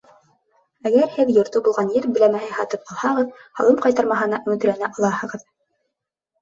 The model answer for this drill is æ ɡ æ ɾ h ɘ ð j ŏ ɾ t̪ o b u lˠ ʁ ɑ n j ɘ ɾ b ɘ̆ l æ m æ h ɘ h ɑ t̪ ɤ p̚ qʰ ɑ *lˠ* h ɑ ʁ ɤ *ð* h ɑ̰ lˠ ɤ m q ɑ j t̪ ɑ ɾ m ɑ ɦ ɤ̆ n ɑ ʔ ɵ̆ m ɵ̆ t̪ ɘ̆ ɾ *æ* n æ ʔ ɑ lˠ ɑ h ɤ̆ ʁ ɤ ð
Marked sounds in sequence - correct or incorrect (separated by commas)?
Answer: correct, correct, correct